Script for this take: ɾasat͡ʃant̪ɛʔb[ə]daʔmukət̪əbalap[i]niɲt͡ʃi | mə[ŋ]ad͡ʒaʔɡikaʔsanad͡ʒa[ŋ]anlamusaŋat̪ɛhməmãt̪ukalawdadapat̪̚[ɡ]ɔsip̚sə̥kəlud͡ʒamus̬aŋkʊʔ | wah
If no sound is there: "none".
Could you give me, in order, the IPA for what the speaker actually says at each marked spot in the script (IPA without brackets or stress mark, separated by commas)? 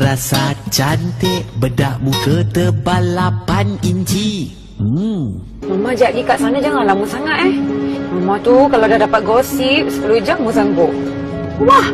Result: ə, a, m, ŋ, ɡ